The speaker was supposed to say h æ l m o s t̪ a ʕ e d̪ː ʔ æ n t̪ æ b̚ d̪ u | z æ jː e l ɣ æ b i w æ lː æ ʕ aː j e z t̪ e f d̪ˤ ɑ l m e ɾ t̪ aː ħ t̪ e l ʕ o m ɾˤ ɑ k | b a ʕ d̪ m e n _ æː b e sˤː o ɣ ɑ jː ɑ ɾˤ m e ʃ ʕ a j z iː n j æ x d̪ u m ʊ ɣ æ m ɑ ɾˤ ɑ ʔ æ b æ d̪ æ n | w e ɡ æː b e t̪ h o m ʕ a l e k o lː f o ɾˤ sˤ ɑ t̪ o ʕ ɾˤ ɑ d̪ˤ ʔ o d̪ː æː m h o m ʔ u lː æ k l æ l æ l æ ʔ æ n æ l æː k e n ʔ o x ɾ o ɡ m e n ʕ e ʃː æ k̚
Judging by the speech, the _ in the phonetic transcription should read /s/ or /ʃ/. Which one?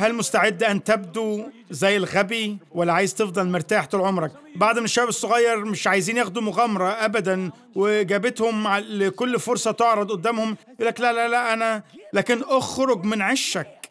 ʃ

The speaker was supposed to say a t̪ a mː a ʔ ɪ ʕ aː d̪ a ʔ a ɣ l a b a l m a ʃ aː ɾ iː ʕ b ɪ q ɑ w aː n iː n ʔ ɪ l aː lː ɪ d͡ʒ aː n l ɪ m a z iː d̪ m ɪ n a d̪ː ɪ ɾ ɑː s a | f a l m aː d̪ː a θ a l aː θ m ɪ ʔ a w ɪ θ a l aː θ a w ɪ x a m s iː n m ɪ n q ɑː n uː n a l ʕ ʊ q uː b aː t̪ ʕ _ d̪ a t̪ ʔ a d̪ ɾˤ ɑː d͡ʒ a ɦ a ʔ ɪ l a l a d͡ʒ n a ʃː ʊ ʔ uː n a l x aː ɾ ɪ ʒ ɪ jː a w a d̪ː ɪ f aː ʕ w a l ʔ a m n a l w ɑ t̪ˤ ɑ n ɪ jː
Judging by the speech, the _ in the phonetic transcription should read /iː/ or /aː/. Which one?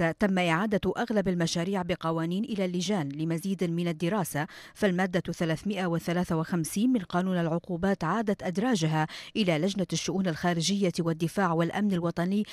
aː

